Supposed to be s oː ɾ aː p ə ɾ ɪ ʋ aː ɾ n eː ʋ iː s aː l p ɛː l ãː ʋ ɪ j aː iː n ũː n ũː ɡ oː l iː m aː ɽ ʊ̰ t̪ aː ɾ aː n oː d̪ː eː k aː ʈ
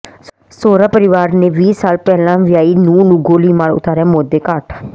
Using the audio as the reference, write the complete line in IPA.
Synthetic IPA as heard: s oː ɾ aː p ə ɾ ɪ ʋ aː ɾ n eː ʋ iː s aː l p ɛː l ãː ʋ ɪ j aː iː n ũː n ũː ɡ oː l iː m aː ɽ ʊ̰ t̪ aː ɾ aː m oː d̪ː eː k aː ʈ